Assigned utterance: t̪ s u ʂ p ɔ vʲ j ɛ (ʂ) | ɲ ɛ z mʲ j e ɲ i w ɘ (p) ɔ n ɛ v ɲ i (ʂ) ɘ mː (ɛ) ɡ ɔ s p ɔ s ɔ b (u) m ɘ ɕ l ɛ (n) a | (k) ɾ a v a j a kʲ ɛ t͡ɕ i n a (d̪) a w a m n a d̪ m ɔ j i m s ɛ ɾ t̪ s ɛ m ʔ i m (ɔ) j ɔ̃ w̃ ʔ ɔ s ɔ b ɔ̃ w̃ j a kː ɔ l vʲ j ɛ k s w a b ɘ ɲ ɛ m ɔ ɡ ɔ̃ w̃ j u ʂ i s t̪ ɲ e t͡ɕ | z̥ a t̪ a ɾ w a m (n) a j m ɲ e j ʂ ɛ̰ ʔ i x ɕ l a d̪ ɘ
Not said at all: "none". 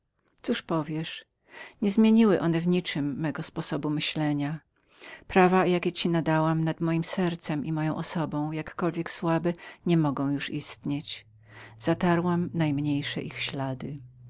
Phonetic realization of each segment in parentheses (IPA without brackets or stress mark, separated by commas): ʂ, ʔ, t͡ʂ, ɛ, u, ɲ, p, d̪, ɔ, n